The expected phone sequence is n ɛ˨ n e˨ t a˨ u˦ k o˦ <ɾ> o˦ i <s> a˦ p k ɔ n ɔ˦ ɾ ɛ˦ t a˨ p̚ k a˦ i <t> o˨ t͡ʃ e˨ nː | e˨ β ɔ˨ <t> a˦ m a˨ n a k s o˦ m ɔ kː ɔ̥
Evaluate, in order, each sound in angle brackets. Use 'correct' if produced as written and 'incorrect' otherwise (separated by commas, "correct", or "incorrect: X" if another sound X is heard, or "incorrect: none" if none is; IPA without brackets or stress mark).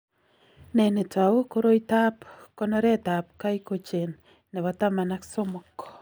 correct, incorrect: t, incorrect: k, correct